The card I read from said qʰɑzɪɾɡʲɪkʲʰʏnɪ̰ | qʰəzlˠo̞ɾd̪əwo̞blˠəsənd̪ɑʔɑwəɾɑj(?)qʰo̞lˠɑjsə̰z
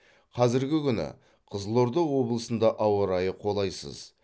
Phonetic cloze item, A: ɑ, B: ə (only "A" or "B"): B